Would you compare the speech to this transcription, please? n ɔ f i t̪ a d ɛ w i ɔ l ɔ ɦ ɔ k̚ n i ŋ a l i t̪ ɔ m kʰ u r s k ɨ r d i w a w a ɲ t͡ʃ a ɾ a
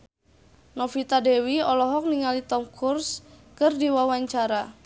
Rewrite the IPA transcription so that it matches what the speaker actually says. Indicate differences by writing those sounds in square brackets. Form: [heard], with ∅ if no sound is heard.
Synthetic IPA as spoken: n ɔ f i t̪ a d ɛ w i ɔ l ɔ ɦ ɔ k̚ n i ŋ a l i t̪ ɔ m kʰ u r s k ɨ r d i w a w a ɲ t͡ʃ a ɾ a